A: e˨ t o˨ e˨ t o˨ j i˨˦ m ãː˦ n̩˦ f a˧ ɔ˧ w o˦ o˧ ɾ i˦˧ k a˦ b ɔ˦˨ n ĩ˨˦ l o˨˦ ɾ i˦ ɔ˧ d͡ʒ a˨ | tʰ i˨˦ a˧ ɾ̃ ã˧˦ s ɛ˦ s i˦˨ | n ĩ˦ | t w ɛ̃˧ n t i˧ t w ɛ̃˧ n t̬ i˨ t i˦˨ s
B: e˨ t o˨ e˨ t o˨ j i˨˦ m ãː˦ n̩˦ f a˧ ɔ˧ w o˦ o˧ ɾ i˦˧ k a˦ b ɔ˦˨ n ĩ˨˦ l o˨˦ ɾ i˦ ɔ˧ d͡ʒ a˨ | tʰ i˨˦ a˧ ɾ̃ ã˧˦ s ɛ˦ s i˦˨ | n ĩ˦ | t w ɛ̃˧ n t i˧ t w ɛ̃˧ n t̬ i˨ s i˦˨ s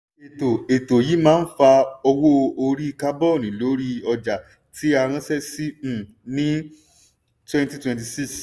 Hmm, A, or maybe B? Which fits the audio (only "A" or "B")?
B